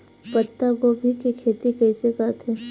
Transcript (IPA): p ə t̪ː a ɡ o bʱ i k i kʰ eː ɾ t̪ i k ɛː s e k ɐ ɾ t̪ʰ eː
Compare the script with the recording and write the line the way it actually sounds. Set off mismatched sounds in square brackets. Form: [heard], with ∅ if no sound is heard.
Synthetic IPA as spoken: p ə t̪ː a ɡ o bʱ i k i kʰ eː [∅] t̪ i k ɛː s e k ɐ ɾ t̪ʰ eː